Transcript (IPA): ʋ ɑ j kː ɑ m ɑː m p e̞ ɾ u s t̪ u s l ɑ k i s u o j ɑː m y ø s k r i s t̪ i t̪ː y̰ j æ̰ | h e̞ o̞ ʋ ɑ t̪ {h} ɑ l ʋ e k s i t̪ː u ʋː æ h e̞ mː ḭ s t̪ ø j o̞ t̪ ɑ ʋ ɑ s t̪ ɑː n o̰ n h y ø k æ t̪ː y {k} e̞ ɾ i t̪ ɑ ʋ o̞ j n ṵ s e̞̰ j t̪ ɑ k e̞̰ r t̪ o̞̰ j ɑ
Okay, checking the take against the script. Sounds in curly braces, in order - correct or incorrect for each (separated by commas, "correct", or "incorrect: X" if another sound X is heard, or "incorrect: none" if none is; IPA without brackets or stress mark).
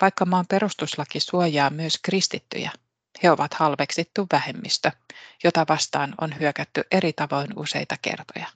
correct, incorrect: ʔ